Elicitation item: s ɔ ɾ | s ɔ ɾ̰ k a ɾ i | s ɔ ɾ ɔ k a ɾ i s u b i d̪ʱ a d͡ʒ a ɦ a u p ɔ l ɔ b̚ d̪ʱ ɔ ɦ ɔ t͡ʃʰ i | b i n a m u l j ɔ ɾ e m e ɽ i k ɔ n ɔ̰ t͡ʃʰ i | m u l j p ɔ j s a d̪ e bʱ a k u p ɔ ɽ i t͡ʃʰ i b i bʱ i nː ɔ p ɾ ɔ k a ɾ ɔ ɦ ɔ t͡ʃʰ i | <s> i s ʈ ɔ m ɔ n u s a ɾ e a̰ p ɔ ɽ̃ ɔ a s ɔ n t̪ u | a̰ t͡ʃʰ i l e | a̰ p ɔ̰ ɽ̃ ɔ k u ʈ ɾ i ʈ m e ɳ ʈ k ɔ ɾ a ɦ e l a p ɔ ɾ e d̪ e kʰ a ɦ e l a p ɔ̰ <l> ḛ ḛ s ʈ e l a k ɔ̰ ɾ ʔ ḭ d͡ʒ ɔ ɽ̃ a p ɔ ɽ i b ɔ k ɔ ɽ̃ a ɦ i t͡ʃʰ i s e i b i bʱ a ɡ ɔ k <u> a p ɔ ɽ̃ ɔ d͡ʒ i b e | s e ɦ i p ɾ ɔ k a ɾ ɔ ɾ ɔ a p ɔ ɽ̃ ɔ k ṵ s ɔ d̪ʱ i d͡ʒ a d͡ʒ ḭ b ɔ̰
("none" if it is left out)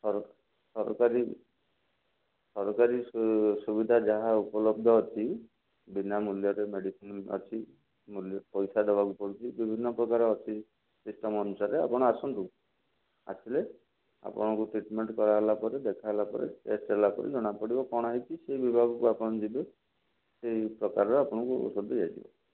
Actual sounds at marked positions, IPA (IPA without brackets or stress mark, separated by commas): s, ɾ, u